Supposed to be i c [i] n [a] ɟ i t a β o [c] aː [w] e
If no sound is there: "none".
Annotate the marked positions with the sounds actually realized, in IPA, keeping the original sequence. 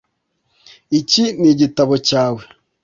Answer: i, i, c, w

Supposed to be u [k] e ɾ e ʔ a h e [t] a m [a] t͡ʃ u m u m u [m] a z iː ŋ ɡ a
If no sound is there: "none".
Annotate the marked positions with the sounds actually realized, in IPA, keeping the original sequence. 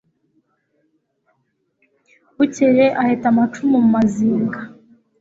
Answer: c, t, a, m

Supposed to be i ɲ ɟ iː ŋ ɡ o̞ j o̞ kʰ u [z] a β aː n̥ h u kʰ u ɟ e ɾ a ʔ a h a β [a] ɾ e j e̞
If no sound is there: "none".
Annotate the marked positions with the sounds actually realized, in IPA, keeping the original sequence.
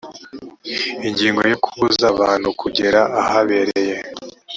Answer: z, e

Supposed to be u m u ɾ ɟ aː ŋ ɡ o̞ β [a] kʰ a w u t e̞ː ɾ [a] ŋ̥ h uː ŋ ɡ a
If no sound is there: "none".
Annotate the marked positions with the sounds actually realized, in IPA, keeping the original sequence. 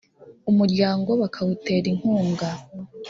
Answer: a, i

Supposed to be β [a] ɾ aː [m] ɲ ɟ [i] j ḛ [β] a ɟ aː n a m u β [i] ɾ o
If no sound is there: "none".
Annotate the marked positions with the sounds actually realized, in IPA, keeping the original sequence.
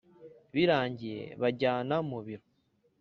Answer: i, none, i, β, i

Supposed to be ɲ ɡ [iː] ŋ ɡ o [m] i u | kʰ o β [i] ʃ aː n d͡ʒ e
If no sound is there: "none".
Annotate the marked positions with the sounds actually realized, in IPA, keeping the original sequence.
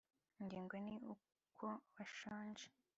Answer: iː, n, a

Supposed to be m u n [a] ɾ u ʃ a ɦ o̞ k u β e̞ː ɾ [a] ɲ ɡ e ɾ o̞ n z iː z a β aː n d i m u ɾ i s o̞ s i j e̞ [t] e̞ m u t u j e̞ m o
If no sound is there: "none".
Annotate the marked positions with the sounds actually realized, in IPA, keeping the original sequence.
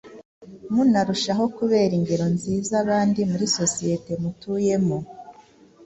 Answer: a, i, t

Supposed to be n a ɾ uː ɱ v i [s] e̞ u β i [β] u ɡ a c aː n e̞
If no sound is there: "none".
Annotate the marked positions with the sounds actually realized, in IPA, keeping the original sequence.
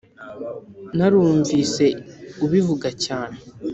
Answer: s, v

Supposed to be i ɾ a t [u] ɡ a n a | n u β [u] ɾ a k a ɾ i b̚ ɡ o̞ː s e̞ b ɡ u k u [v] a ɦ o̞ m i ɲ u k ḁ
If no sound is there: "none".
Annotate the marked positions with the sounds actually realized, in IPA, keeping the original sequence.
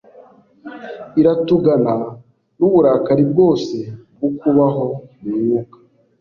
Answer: u, u, β

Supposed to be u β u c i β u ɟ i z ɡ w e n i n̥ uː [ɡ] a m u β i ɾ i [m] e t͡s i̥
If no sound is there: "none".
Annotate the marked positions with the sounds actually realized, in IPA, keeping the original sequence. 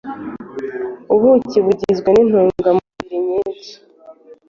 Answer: ɡ, ɲ

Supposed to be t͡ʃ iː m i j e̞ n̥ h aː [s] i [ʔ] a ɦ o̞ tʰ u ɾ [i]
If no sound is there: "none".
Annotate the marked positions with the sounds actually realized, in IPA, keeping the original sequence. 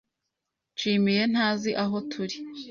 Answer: z, ʔ, i

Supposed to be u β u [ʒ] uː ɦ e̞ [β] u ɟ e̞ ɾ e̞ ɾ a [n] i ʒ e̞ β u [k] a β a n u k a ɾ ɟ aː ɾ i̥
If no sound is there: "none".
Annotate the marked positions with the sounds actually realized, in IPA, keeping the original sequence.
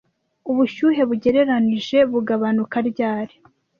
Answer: ʃ, β, n, ɡ

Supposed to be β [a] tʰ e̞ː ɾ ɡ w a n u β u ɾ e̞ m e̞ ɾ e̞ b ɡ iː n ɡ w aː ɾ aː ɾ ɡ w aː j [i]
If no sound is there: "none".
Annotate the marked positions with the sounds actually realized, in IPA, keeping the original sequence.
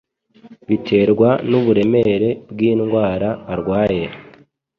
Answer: i, e

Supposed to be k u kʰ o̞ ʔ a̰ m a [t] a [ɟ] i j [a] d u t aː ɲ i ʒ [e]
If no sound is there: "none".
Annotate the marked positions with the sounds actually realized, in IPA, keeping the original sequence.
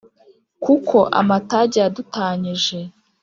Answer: t, ɟ, a, e

